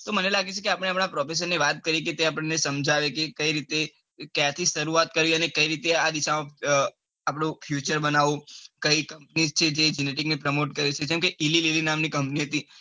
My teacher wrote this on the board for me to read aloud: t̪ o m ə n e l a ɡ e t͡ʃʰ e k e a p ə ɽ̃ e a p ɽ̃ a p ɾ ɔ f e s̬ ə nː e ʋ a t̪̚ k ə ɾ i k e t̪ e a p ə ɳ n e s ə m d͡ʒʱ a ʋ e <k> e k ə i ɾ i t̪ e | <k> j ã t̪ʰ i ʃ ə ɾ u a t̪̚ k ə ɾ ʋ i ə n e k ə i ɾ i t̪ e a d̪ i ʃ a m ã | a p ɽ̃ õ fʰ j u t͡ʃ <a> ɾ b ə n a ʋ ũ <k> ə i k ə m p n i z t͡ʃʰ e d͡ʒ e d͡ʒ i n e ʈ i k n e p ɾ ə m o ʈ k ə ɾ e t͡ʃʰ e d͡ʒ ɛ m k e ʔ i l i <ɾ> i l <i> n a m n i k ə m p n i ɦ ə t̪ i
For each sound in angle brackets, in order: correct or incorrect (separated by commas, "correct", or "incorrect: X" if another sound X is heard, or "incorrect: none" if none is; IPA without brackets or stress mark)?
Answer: correct, correct, incorrect: ə, correct, incorrect: l, correct